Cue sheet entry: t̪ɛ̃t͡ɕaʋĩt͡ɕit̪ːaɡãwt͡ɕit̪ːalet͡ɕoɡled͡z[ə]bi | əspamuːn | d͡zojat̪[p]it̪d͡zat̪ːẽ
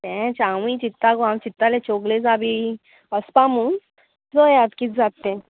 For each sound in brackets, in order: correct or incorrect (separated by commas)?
incorrect, incorrect